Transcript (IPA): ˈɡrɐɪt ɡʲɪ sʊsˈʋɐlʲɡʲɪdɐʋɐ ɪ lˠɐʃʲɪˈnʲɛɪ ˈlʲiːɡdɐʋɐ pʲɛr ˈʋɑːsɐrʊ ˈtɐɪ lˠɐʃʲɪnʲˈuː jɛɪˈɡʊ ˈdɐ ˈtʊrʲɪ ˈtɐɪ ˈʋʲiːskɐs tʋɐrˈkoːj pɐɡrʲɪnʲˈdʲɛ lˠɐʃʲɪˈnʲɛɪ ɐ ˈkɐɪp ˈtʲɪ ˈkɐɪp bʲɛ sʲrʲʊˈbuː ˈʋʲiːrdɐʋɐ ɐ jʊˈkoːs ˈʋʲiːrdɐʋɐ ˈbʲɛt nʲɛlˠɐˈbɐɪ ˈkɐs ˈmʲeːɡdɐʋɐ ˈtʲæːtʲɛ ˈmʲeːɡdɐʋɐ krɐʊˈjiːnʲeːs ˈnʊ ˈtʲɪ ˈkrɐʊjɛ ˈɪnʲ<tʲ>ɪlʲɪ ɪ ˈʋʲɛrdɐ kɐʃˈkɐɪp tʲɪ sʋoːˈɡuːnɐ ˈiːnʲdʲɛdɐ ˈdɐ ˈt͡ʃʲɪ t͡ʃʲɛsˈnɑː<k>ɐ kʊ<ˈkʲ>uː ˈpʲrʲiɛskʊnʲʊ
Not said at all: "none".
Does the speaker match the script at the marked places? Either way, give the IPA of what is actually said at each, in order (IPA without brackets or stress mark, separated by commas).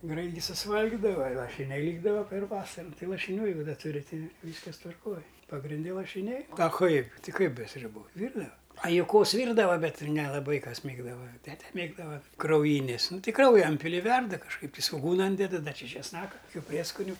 pʲ, k, kʲ